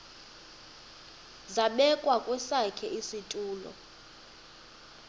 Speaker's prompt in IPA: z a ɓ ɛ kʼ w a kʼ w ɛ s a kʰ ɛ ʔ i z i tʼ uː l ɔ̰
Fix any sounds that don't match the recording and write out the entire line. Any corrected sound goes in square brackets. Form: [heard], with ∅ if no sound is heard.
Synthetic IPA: z a ɓ ɛ kʼ w a kʼ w ɛ s a kʰ ɛ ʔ i [s] i tʼ uː l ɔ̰